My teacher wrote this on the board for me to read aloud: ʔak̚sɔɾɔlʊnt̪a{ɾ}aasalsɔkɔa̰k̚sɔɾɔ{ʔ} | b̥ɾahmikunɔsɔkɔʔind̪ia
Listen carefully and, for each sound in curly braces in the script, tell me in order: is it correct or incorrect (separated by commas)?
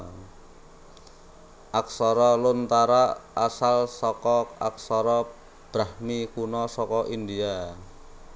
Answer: correct, incorrect